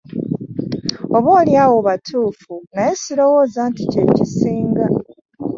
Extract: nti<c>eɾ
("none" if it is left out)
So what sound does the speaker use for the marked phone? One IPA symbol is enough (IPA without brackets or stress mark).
c